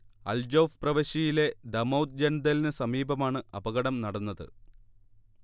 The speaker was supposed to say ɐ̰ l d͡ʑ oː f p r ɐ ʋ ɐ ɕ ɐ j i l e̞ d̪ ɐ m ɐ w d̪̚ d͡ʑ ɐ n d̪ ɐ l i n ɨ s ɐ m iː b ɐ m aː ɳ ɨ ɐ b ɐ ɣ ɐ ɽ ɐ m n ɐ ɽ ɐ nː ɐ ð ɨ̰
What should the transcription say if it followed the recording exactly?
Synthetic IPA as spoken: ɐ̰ l d͡ʑ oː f p r ɐ ʋ ɐ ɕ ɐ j i l e̞ d̪ ɐ m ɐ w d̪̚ d͡ʑ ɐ n d̪ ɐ l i n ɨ s ɐ m iː b ɐ m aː ɳ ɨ ɐ b ɐ ɣ ɐ ɽ ɐ m n ɐ ɽ ɐ nː ɐ ð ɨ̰